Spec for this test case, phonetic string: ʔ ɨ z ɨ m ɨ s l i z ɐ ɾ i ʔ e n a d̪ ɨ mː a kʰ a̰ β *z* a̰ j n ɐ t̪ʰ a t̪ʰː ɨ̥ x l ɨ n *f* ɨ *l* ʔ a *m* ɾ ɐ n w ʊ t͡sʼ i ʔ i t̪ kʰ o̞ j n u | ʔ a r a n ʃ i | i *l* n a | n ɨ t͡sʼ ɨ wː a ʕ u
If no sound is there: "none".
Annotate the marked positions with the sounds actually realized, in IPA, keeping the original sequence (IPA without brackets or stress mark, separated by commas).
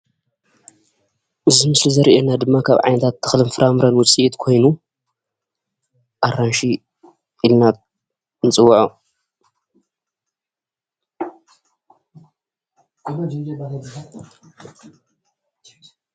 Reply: ʕ, f, ɾ, m, l